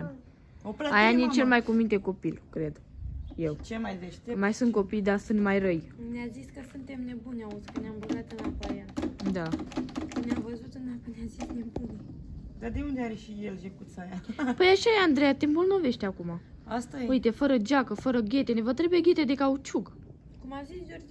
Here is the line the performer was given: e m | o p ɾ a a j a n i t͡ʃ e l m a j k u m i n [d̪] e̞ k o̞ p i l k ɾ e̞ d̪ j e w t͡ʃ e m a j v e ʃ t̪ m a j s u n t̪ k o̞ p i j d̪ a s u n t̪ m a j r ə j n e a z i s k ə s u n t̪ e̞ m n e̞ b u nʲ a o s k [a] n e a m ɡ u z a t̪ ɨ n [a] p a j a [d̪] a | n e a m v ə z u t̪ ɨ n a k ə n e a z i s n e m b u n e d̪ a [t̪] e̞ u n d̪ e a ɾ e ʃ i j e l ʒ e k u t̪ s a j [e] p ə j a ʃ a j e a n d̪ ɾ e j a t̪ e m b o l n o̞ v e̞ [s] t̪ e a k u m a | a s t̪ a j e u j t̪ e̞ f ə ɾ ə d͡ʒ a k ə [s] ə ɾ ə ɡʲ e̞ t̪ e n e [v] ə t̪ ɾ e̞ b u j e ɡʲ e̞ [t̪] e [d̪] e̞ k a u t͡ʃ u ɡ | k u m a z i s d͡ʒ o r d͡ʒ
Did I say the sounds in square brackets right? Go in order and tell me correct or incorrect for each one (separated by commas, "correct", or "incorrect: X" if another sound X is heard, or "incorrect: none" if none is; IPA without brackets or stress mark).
incorrect: t̪, incorrect: ə, correct, correct, incorrect: d̪, incorrect: a, incorrect: ʃ, incorrect: f, correct, correct, correct